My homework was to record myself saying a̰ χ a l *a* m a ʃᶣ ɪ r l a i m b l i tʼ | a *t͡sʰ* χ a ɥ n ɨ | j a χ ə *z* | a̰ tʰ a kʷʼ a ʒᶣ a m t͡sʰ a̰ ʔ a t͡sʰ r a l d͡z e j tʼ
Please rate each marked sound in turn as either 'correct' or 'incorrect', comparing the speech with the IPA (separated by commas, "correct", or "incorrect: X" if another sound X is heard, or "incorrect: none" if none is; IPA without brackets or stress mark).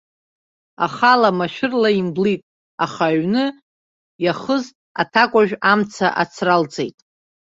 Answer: correct, incorrect: none, correct